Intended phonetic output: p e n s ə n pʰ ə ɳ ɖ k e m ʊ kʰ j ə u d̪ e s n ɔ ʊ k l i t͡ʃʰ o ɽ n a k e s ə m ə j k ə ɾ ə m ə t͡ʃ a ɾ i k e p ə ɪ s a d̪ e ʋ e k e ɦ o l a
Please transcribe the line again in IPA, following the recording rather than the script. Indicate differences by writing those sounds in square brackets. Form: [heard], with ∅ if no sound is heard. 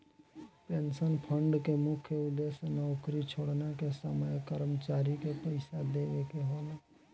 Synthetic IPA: p e n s ə n pʰ ə ɳ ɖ k e m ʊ kʰ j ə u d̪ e s n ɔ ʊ k [ɾ] i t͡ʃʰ o ɽ n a k e s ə m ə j k ə ɾ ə m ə t͡ʃ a ɾ i k e p ə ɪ s a d̪ e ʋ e k e ɦ o l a